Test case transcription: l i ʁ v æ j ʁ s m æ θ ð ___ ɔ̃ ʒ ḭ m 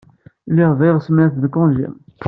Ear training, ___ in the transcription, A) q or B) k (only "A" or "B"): B